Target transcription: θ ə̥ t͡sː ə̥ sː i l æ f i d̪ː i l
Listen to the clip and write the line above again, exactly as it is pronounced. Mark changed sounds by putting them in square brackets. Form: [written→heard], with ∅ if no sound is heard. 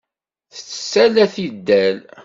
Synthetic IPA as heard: θ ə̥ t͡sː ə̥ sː [i→æ] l æ [f→θ] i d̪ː [i→æ] l